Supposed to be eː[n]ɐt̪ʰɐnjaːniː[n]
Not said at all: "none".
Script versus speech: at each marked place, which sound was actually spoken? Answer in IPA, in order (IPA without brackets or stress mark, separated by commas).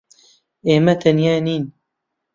m, n